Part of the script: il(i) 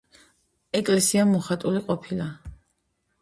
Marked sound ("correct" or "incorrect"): incorrect